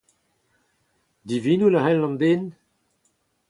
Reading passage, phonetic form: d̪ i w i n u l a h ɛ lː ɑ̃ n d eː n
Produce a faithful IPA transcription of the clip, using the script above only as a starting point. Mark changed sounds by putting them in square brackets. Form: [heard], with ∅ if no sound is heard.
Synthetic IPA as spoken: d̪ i [v] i n u l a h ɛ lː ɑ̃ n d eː n